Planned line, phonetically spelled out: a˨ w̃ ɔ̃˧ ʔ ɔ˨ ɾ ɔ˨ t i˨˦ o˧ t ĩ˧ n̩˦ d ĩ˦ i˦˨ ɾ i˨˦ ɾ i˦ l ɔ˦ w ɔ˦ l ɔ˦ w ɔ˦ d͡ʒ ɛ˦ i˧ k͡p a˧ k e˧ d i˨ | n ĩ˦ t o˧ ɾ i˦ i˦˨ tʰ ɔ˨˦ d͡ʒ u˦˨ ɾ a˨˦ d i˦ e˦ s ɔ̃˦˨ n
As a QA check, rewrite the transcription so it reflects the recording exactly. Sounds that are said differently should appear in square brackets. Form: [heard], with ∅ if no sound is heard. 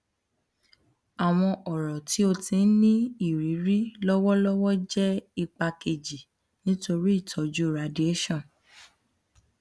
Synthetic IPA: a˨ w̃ ɔ̃˧ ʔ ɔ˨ ɾ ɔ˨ t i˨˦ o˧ t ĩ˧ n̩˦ [n] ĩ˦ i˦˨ ɾ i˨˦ ɾ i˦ l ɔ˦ w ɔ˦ l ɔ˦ w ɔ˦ d͡ʒ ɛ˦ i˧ k͡p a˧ k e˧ [d͡ʒ] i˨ | n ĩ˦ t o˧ ɾ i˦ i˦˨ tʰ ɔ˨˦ d͡ʒ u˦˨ ɾ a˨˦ d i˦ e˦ [ʃ] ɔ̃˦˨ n